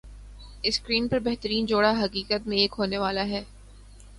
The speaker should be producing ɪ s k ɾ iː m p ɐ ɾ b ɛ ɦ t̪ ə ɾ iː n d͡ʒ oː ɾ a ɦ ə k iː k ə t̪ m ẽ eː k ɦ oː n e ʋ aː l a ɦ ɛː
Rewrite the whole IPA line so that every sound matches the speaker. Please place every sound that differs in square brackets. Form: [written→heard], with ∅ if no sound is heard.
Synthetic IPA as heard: ɪ s k ɾ iː [m→n] p ɐ ɾ b ɛ ɦ t̪ ə ɾ iː n d͡ʒ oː [ɾ→ɽ] a ɦ [ə→ɐ] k iː k ə t̪ m ẽ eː k ɦ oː n e ʋ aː l a ɦ ɛː